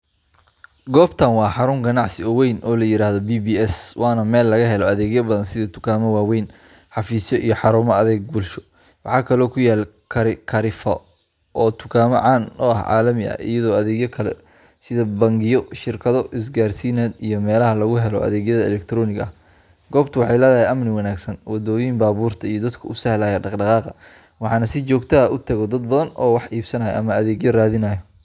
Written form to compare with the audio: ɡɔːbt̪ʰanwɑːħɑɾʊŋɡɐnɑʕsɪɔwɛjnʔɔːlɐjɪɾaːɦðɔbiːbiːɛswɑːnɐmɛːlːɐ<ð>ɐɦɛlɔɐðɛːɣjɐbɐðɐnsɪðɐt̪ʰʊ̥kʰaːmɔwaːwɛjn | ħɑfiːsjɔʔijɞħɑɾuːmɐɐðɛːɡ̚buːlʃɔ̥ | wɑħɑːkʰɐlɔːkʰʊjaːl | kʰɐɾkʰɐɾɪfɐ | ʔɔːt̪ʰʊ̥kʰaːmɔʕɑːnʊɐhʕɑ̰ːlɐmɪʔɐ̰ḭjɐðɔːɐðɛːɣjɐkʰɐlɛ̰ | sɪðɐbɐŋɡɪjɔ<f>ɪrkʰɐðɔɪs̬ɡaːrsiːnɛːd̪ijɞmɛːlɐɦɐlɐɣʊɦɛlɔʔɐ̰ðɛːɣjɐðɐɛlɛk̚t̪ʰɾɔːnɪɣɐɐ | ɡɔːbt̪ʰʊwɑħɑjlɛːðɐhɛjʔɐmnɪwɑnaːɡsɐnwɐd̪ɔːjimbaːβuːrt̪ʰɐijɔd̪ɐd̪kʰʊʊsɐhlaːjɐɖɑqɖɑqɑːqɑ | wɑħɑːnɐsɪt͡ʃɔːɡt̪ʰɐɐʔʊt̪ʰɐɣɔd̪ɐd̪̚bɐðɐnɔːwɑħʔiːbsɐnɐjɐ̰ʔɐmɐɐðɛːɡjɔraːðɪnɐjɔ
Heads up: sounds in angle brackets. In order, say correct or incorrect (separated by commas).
incorrect, incorrect